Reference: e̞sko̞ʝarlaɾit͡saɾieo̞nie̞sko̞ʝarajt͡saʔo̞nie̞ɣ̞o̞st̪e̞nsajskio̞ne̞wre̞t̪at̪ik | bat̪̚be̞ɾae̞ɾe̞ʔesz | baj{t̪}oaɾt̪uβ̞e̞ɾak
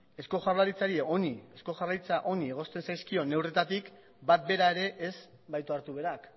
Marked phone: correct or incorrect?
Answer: correct